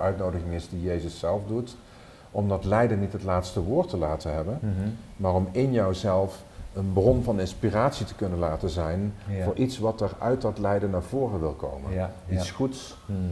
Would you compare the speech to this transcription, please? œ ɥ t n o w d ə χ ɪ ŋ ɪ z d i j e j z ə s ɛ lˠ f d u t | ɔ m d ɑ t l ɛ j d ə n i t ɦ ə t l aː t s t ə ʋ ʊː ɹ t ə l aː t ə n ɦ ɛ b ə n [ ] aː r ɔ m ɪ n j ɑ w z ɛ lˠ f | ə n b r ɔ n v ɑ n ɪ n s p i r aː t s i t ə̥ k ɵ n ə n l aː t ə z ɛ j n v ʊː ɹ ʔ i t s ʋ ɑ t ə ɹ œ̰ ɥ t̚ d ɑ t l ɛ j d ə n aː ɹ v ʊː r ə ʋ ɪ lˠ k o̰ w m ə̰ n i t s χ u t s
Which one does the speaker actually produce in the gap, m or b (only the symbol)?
m